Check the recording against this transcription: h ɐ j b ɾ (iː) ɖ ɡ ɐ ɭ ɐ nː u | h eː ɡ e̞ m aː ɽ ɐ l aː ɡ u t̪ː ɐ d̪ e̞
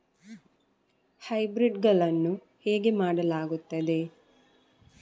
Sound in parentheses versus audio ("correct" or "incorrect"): incorrect